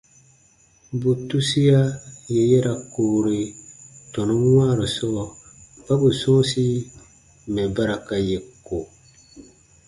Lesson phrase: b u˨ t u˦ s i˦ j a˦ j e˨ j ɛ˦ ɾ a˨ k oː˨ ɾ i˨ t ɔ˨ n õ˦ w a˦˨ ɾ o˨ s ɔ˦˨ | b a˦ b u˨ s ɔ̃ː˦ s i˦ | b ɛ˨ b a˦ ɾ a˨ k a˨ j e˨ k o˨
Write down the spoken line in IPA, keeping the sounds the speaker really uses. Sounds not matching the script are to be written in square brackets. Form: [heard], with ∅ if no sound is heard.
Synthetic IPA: b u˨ t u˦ s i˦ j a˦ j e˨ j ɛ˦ ɾ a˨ k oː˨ ɾ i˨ t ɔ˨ n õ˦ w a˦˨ ɾ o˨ s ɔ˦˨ | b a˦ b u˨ s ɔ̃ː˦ s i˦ | [m] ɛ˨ b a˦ ɾ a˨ k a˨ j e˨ k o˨